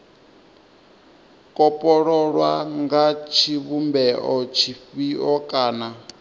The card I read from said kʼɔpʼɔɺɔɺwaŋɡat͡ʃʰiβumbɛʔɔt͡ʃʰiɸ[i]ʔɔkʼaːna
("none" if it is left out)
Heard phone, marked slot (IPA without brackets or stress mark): i